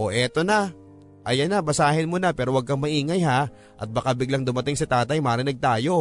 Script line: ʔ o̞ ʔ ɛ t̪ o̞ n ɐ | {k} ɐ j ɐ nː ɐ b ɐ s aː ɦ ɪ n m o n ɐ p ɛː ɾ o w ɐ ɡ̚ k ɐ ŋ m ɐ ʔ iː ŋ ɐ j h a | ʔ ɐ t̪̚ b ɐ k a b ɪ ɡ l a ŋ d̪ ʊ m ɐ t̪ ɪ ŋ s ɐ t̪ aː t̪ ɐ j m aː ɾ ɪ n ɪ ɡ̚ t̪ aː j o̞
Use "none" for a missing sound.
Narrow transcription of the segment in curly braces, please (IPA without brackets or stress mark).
ʔ